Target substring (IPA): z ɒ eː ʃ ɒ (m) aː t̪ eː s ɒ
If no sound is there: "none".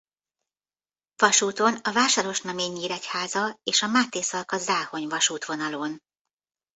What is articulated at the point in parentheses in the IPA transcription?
m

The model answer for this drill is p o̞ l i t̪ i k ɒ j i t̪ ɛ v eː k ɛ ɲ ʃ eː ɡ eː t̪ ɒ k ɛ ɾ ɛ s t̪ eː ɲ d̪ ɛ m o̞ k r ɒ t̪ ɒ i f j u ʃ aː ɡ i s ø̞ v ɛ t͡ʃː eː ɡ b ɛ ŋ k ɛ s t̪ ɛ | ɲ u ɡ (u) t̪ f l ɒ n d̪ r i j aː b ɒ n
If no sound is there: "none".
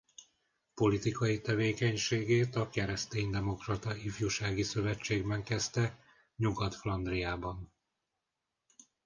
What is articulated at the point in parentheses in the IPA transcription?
ɒ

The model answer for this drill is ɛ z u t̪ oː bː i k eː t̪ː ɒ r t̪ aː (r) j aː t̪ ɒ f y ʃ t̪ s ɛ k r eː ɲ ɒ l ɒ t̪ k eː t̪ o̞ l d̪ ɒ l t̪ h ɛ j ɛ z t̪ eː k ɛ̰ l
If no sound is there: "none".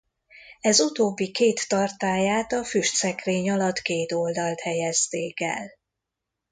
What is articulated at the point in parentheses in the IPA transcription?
none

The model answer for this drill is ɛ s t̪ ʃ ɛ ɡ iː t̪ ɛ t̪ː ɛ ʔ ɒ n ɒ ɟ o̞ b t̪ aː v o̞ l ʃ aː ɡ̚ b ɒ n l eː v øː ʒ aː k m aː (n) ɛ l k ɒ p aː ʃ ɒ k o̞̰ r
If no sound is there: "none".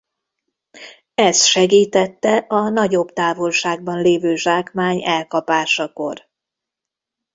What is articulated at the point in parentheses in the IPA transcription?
ɲ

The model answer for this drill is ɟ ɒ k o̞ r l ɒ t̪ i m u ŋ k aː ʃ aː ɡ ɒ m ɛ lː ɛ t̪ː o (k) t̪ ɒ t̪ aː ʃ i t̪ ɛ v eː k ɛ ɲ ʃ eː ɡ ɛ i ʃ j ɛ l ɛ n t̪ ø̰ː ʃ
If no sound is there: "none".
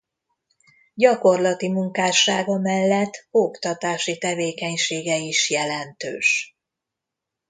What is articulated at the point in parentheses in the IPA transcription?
k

